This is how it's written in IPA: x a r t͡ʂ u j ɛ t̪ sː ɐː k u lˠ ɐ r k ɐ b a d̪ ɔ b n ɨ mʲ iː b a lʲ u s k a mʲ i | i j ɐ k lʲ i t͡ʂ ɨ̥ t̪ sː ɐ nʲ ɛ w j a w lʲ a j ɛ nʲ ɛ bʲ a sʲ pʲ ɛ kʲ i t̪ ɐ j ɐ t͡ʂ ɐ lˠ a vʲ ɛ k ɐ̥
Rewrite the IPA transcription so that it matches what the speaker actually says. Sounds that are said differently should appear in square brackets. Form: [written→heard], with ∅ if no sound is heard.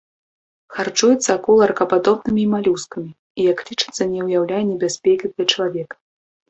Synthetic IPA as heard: x a r t͡ʂ u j ɛ t̪ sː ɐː k u lˠ ɐ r k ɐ [b→p] a d̪ ɔ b n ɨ mʲ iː [b→m] a lʲ u s k [a→ɐ] mʲ i | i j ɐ k lʲ i t͡ʂ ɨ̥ t̪ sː ɐ nʲ ɛ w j a w lʲ a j ɛ nʲ ɛ bʲ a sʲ pʲ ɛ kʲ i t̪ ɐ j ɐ t͡ʂ ɐ lˠ a vʲ ɛ k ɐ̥